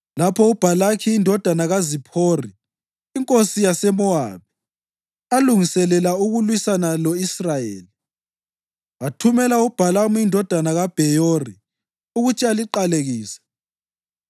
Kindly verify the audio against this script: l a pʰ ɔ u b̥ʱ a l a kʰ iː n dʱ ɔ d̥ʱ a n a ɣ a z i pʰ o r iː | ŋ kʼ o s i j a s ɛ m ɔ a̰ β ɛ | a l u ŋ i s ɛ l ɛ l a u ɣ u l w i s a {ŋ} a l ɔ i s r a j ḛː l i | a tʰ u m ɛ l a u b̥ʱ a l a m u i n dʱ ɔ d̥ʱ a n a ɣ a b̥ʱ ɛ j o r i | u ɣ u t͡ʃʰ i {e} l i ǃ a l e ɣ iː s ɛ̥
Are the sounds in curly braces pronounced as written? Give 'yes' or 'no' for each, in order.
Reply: no, no

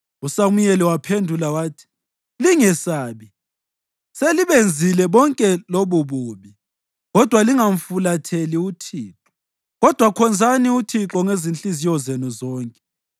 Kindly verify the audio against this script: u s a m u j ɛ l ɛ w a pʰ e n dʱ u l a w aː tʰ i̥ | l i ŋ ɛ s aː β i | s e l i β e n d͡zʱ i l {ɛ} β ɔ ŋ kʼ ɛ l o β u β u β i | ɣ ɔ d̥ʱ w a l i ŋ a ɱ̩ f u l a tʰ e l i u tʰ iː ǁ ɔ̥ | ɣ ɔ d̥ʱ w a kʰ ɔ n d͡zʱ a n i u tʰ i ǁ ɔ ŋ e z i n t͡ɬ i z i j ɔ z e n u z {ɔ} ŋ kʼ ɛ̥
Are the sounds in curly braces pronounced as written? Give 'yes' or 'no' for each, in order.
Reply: yes, no

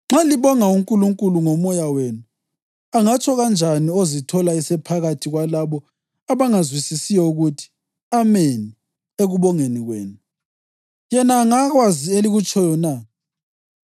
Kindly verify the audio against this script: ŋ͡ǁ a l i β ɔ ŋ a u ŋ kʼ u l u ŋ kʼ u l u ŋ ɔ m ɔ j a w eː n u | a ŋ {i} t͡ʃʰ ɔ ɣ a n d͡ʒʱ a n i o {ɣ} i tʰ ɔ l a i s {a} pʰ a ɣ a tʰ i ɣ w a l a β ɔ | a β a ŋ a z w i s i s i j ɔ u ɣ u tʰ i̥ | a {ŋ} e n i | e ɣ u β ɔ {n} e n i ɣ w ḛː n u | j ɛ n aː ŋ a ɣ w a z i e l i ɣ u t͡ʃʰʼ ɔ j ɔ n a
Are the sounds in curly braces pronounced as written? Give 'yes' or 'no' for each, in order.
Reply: no, no, no, no, no

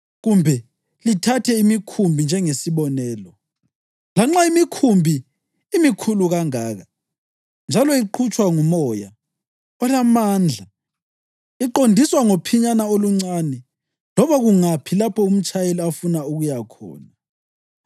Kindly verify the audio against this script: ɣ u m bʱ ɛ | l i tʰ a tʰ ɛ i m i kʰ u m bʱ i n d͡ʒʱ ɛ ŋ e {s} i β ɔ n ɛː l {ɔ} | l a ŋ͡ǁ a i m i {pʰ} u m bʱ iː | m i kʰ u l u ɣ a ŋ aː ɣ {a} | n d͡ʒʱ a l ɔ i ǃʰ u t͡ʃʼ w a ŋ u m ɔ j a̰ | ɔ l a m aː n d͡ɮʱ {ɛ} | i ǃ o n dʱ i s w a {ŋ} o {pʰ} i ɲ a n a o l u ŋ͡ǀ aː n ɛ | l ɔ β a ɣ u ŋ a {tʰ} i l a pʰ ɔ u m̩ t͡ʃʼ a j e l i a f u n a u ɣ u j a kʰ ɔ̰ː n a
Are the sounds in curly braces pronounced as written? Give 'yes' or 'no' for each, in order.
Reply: yes, yes, no, yes, no, yes, yes, no

